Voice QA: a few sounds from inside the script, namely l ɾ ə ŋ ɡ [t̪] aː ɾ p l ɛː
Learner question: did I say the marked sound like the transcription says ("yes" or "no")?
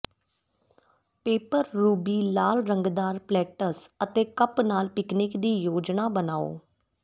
no